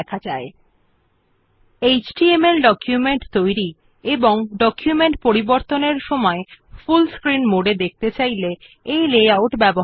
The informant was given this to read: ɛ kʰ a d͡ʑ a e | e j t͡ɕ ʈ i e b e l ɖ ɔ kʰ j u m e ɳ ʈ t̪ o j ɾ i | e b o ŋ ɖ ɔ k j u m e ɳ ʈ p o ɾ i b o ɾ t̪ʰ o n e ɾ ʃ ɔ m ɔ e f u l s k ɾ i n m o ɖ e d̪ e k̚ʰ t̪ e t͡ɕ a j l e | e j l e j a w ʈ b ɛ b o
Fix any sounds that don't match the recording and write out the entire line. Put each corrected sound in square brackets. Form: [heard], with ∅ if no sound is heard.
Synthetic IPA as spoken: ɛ kʰ a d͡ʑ a e | e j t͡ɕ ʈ i e [m] e l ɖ ɔ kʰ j u m e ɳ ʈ t̪ o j ɾ i | e b o ŋ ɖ ɔ k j u m e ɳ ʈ p o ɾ i b o ɾ [t̪] o n e ɾ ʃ ɔ m ɔ e f u l s k ɾ i n m o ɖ e d̪ e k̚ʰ t̪ e t͡ɕ a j l e | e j l e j a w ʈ b ɛ b o